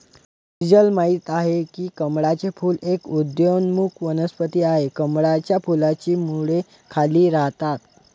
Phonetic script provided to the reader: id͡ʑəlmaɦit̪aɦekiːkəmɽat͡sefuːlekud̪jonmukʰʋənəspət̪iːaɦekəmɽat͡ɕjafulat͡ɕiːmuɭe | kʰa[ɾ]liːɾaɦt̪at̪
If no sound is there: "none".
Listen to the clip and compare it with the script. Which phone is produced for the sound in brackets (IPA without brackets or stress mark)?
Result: none